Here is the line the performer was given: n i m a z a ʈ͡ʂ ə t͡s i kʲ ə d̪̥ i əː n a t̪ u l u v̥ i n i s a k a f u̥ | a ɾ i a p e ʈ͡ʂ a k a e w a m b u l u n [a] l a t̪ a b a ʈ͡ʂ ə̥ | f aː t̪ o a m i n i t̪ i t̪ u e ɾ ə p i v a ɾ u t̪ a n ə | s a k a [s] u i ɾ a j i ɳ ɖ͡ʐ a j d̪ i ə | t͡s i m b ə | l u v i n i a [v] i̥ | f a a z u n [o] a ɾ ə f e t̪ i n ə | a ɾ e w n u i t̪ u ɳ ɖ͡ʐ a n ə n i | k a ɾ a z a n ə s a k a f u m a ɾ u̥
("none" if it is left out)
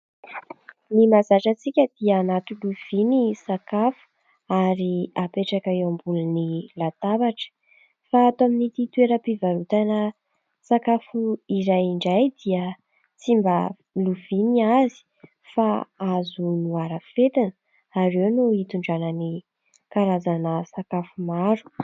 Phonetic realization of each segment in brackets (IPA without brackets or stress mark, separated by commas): i, f, z, u